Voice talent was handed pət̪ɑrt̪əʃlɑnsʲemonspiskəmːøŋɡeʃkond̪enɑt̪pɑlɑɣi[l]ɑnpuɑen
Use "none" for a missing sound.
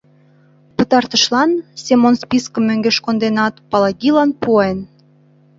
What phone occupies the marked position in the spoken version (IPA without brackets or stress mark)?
l